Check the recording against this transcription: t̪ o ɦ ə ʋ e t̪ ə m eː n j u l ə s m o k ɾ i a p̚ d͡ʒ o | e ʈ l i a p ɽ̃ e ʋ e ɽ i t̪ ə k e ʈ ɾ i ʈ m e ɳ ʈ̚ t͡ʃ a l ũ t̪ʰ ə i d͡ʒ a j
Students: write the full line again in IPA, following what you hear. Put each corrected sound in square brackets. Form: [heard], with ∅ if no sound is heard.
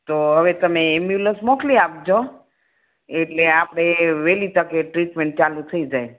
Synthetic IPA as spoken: t̪ o ɦ ə ʋ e t̪ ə m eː [m] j u l ə s m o k [l] i a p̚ d͡ʒ o | e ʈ l [e] a p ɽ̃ e ʋ e [l] i t̪ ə k e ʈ ɾ i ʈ m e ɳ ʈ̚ t͡ʃ a l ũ t̪ʰ ə i d͡ʒ a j